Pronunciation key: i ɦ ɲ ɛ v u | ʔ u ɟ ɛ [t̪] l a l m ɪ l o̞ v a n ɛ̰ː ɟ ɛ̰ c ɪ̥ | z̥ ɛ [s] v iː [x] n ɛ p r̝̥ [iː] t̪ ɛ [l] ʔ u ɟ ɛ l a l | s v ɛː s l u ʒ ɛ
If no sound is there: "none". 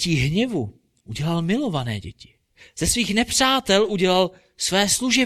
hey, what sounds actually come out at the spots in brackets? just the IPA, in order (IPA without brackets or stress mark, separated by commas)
none, s, x, aː, l